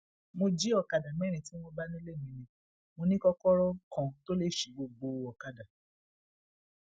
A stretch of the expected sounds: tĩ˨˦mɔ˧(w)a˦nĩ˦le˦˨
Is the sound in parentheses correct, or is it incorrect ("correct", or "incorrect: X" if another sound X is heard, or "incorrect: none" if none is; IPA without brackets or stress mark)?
incorrect: b